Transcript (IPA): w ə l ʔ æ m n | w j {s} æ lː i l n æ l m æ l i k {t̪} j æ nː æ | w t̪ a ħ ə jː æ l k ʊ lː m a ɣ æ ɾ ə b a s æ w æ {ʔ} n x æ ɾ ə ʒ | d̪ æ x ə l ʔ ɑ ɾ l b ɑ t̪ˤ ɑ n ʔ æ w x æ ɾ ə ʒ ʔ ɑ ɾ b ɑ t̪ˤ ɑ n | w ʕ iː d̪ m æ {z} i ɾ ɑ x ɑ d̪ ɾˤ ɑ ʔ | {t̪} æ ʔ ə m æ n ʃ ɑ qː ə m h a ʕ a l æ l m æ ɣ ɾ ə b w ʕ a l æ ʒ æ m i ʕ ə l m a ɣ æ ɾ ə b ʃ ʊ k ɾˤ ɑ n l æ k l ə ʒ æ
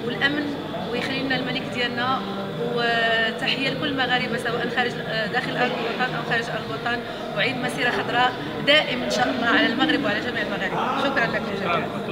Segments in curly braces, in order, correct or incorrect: incorrect: x, incorrect: d̪, correct, incorrect: s, incorrect: d̪

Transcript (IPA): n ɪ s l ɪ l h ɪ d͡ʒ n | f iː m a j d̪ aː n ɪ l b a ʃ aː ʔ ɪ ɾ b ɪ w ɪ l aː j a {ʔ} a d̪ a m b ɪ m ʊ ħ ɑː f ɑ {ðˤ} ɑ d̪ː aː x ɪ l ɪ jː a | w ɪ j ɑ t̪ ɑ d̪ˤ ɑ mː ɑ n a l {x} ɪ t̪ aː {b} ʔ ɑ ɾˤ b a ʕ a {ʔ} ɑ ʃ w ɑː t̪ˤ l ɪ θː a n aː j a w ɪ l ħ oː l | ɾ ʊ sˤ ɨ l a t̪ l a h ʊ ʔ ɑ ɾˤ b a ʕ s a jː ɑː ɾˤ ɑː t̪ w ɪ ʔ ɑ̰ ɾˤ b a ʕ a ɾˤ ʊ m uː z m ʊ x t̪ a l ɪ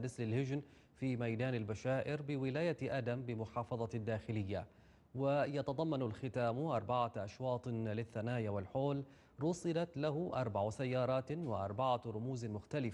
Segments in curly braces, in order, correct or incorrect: correct, correct, correct, incorrect: m, correct

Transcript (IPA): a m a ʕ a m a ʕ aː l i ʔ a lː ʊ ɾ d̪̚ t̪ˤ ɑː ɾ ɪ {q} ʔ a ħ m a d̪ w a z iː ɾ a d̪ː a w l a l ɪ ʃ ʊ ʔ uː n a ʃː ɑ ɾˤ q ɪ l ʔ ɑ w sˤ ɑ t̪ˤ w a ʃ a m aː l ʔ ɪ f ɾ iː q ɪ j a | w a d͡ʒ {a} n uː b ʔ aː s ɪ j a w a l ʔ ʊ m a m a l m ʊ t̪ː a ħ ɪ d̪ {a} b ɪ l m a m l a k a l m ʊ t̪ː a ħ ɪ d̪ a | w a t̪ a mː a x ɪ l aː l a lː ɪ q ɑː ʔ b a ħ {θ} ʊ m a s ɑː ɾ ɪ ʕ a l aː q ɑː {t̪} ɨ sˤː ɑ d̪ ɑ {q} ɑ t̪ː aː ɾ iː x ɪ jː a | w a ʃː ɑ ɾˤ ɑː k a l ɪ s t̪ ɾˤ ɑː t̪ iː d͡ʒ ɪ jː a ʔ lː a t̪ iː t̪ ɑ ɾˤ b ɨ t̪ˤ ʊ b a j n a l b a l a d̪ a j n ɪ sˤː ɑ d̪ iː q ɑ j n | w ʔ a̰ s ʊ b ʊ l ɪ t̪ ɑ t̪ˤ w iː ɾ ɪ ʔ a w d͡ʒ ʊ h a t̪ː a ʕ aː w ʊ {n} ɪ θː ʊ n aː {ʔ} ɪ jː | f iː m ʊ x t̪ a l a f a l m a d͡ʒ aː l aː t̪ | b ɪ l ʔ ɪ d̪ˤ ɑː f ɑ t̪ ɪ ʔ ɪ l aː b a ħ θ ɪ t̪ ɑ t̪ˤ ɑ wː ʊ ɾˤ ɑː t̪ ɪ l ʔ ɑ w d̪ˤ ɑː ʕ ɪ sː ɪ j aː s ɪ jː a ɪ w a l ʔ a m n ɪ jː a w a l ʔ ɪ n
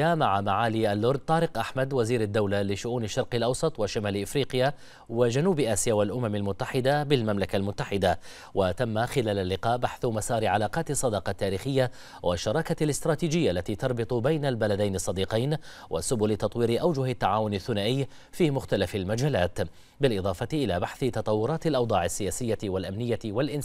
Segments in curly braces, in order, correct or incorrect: correct, correct, correct, correct, correct, correct, correct, correct

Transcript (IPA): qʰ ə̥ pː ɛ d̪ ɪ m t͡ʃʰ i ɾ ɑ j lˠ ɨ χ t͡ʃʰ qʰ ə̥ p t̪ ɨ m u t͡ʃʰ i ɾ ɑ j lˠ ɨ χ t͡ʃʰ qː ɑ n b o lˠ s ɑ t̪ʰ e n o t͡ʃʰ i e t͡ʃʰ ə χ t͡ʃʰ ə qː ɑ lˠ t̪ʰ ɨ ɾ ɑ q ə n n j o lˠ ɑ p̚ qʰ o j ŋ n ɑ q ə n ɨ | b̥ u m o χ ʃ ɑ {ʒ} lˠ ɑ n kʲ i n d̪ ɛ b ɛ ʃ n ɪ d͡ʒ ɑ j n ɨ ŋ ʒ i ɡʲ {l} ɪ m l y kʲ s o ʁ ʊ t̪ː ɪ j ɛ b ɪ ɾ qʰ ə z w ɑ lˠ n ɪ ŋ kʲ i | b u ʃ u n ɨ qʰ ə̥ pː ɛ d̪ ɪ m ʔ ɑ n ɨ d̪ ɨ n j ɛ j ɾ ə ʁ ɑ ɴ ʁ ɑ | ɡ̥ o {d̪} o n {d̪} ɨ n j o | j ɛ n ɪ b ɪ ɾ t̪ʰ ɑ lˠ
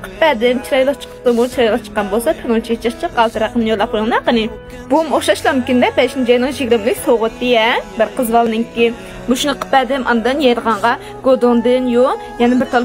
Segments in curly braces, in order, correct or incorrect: incorrect: ʃ, incorrect: ɾ, correct, correct

